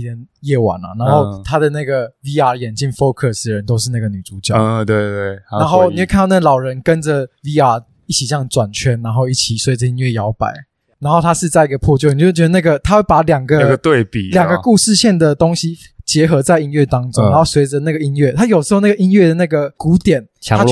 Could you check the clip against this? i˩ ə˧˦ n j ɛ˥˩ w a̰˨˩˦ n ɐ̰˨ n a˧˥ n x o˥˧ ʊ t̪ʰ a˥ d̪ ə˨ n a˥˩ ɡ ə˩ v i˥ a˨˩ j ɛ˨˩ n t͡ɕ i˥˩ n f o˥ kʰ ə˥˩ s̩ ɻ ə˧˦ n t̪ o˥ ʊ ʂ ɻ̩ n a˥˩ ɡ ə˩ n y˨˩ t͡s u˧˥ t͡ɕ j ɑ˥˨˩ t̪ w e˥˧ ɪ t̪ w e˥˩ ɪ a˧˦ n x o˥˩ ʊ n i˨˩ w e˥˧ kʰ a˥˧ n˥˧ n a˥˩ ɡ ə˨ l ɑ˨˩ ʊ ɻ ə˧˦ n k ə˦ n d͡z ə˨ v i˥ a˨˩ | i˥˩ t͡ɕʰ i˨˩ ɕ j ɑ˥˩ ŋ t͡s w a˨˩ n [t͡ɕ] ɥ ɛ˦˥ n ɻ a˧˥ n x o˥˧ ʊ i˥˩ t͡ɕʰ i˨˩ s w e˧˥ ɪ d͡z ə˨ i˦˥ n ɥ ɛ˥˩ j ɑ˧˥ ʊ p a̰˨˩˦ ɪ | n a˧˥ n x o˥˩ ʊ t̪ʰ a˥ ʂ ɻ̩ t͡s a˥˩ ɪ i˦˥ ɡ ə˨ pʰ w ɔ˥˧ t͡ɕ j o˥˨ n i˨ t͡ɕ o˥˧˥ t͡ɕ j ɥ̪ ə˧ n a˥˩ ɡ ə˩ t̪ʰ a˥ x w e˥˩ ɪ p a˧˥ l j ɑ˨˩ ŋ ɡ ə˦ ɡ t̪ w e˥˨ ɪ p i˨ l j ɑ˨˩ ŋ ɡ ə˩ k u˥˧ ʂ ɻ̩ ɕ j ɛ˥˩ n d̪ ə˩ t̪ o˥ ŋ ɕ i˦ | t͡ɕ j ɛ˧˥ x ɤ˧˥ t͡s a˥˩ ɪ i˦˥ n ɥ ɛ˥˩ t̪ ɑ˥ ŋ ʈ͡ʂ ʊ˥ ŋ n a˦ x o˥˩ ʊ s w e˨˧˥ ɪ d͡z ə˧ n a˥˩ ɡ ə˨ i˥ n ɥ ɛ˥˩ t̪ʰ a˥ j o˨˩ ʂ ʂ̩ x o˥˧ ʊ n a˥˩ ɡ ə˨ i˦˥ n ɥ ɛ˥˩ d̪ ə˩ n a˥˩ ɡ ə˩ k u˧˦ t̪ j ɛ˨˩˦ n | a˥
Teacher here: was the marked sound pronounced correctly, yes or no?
no